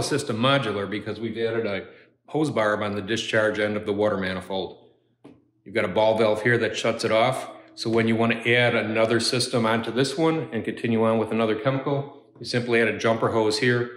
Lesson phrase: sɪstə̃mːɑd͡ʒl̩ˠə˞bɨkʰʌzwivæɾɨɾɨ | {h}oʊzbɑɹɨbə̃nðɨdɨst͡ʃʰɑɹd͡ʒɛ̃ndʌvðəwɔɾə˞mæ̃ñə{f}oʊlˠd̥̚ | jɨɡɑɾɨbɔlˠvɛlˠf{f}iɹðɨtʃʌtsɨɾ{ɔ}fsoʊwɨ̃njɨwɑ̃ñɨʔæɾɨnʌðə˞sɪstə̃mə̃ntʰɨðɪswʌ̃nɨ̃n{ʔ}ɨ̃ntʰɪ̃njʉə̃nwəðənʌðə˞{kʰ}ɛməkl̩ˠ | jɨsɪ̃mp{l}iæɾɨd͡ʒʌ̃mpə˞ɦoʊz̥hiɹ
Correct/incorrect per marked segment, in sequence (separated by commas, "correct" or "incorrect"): correct, correct, incorrect, correct, incorrect, correct, correct